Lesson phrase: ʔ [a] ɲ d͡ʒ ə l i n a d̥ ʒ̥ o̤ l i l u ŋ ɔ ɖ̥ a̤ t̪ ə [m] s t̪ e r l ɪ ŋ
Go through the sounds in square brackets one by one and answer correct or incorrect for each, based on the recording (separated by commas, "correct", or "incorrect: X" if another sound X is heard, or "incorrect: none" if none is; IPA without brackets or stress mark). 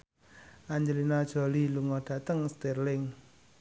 correct, incorrect: ŋ